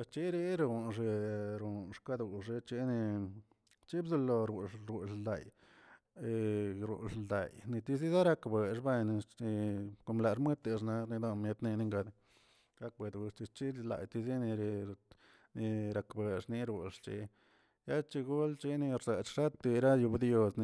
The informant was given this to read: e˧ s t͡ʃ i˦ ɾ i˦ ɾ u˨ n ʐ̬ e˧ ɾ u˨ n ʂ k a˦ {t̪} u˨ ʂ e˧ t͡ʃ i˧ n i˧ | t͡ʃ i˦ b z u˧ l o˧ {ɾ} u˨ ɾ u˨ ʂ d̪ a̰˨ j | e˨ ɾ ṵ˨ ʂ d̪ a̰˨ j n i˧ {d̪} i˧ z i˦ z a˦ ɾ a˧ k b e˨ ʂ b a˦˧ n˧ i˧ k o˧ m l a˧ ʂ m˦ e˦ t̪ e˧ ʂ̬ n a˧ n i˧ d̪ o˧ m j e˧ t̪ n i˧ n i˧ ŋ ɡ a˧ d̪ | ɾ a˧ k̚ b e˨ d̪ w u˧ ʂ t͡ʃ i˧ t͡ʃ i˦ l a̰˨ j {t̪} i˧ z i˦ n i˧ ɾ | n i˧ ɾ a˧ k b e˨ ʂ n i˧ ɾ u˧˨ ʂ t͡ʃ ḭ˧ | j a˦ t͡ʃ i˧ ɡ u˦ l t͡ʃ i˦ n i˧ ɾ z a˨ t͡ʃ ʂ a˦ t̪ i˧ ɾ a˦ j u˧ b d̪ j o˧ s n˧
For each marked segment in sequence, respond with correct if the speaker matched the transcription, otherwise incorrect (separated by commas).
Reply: incorrect, correct, incorrect, correct